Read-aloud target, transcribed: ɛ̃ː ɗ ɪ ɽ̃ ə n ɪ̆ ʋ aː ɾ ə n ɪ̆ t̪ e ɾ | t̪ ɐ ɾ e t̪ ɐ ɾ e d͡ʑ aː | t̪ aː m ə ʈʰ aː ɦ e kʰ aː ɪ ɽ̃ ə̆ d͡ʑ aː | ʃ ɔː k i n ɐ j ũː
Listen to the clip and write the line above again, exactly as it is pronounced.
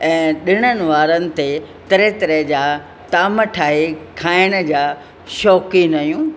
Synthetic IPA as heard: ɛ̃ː ɗ ɪ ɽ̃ ə n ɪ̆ ʋ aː ɾ ə n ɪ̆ t̪ e | t̪ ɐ ɾ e t̪ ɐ ɾ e d͡ʑ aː | t̪ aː m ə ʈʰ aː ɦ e kʰ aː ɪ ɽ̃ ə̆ d͡ʑ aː | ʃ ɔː k i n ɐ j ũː

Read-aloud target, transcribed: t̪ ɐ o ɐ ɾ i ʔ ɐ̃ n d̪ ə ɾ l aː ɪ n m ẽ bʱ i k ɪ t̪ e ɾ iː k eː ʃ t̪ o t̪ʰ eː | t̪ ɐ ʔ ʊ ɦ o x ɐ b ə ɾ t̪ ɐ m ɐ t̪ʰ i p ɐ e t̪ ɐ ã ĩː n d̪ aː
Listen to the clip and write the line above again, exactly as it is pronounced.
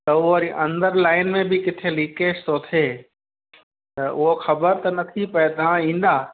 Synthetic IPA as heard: t̪ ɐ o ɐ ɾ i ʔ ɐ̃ n d̪ ə ɾ l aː ɪ n m ẽ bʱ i k ɪ t̪ʰ e l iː k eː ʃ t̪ o t̪ʰ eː | t̪ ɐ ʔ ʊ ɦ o x ɐ b ə ɾ t̪ ɐ n ɐ t̪ʰ i p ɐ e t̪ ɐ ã ĩː n d̪ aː

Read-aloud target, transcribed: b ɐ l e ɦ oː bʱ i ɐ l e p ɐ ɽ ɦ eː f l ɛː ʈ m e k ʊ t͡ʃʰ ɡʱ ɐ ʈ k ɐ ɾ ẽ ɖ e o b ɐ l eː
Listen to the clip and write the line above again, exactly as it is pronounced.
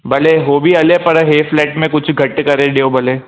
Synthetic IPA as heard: b ɐ l e ɦ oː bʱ i ɐ l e p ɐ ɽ ɦ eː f l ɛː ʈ m ẽ k ʊ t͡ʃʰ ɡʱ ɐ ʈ k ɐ ɾ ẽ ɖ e o b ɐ l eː

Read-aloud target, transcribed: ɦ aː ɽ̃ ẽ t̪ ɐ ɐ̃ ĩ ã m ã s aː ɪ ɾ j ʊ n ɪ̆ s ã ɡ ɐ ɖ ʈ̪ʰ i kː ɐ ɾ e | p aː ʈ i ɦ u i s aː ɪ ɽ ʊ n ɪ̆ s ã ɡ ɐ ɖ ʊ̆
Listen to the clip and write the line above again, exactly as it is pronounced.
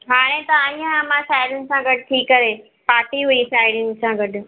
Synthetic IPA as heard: ɦ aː ɽ̃ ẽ t̪ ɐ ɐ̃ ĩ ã m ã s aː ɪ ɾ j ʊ n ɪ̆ s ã ɡ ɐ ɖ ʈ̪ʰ i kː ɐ ɾ e | p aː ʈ i ɦ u i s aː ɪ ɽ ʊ n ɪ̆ s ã ɡ ɐ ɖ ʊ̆

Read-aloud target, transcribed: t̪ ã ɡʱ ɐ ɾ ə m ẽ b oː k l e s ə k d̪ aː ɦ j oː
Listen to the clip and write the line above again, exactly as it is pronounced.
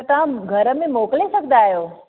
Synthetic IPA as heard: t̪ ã ɡʱ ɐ ɾ ə m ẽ m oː k l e s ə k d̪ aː ɦ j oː

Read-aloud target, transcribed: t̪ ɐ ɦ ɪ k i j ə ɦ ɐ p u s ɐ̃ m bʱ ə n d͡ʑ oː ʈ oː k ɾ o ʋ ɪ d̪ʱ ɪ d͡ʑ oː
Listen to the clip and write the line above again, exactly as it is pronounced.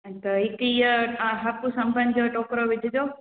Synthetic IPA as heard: t̪ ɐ ɦ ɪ k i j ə ɦ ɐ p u s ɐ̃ m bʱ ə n d͡ʑ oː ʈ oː k ɾ o ʋ ɪ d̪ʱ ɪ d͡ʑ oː

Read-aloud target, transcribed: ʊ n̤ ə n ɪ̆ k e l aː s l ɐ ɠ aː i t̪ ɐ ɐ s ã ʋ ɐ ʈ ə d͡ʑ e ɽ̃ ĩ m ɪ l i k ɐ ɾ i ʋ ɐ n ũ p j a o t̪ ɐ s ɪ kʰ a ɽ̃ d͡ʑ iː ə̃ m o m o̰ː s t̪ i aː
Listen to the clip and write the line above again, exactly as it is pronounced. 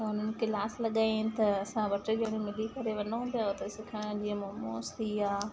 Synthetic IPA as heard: ʊ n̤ ə n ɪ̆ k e l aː s l ɐ ɠ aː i t̪ ɐ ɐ s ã ʋ ɐ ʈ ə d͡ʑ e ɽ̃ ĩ m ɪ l i k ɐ ɾ e ʋ ɐ n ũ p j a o t̪ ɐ s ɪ kʰ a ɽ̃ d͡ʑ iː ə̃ m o m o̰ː s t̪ i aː

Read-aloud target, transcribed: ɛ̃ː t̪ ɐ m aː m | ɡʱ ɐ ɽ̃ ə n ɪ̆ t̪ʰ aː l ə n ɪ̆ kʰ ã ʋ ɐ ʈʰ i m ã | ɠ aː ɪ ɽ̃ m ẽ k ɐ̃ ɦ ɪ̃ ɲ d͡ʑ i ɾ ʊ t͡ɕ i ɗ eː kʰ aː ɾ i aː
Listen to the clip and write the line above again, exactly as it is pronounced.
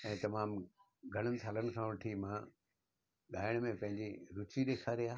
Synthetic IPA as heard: ɛ̃ː t̪ ɐ m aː m | ɡʱ ɐ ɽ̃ ə n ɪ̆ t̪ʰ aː l ə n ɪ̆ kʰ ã ʋ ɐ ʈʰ i m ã | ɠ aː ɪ ɽ̃ m ẽ p ɐ̃ ɦ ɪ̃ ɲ d͡ʑ i ɾ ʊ t͡ɕ i ɗ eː kʰ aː ɾ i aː

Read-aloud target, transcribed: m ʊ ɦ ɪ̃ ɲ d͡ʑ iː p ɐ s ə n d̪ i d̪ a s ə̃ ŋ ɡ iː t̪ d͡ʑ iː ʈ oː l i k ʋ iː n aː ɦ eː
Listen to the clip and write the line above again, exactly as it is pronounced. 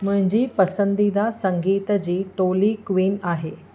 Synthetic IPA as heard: m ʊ ɦ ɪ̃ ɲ d͡ʑ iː p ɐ s ə n d̪ i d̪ a s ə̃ ŋ ɡ iː t̪ d͡ʑ iː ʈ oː l i k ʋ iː n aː ɦ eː

